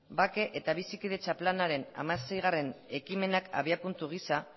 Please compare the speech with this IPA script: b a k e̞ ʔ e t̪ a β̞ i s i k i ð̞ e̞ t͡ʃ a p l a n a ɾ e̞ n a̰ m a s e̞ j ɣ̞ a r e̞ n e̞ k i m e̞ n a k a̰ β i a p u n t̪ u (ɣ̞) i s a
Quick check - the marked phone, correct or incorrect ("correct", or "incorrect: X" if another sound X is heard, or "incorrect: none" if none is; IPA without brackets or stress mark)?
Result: correct